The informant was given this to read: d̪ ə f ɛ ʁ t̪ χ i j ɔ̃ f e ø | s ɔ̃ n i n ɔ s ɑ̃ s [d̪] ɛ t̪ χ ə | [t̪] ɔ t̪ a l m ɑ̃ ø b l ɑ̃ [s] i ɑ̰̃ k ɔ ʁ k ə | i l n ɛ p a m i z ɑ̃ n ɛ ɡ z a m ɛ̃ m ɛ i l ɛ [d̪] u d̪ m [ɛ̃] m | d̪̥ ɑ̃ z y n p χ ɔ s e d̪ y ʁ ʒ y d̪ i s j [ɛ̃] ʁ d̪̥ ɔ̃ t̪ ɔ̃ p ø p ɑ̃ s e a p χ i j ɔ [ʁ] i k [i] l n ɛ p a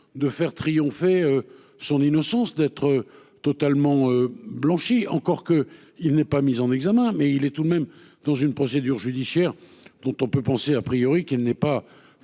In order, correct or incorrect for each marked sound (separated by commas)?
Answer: correct, correct, incorrect, incorrect, incorrect, incorrect, correct, correct